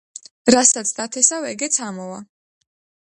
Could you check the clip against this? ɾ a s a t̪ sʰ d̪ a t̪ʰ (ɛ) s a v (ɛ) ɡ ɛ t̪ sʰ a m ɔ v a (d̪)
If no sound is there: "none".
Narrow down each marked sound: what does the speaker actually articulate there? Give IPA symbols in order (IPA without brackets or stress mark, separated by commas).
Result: ɛ, ɛ, none